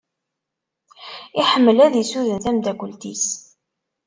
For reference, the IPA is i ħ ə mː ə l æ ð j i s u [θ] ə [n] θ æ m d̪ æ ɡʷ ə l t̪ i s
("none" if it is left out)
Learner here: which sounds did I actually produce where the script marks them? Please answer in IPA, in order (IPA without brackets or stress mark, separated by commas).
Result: ð, n